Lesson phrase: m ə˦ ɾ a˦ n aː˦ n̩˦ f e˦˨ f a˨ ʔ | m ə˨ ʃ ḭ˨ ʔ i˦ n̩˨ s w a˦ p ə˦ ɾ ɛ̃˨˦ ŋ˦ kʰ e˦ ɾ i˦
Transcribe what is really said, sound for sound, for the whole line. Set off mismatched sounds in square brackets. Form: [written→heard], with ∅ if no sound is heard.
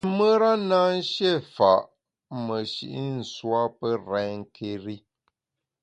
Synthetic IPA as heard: m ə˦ ɾ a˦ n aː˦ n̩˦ [f→ʃ] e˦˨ f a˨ ʔ | m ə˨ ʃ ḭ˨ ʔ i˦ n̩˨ s w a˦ p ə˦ ɾ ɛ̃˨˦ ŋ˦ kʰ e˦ ɾ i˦